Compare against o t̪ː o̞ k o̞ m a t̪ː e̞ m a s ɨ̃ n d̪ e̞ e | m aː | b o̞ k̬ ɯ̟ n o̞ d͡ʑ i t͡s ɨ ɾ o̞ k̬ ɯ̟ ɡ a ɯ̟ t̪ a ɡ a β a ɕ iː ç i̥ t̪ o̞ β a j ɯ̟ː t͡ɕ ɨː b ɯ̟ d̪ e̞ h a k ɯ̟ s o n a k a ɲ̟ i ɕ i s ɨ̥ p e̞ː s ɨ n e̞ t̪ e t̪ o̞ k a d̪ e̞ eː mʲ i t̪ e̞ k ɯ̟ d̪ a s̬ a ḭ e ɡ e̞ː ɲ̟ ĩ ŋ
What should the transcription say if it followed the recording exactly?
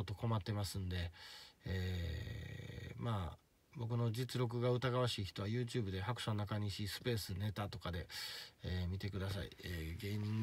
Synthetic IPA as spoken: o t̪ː o̞ k o̞ m a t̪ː e̞ m a s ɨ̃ n d̪ e̞ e | m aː | b o̞ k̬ ɯ̟ n o̞ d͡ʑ i t͡s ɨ ɾ o̞ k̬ ɯ̟ ɡ a ɯ̟ t̪ a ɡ a β a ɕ iː ç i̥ t̪ o̞ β a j ɯ̟ː t͡ɕ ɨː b ɯ̟ d̪ e̞ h a k ɯ̟ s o n a k a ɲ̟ i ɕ i s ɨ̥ p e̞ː s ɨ n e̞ t̪ a t̪ o̞ k a d̪ e̞ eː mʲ i t̪ e̞ k ɯ̟ d̪ a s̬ a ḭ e ɡ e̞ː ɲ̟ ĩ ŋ